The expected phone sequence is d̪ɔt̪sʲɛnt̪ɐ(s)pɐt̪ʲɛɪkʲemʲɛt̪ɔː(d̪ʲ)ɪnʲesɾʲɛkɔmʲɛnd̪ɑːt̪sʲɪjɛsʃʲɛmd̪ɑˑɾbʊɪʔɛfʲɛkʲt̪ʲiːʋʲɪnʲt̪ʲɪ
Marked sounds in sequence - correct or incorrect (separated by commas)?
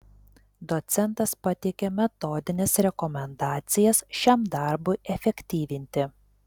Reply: correct, correct